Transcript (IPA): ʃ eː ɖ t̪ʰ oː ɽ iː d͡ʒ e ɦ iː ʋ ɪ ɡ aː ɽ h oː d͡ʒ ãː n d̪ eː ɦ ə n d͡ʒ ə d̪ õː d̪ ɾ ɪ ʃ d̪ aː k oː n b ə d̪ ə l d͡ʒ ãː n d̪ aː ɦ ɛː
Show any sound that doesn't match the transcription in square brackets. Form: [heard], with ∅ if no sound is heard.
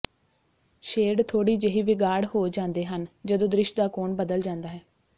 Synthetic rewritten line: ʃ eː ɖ t̪ʰ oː ɽ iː d͡ʒ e ɦ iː ʋ ɪ ɡ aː ɽ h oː d͡ʒ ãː n d̪ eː ɦ ə n d͡ʒ ə d̪ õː d̪ ɾ ɪ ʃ d̪ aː k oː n b ə d̪ ə l d͡ʒ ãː n d̪ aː ɦ ɛː